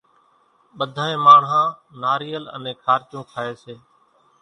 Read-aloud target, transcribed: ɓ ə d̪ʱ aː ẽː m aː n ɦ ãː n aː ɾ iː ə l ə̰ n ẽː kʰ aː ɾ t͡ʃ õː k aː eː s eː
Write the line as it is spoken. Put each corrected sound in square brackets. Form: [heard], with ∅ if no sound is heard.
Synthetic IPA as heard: ɓ ə d̪ʱ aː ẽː m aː [ɳ] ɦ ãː n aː ɾ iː ə l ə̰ n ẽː kʰ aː ɾ t͡ʃ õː [kʰ] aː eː s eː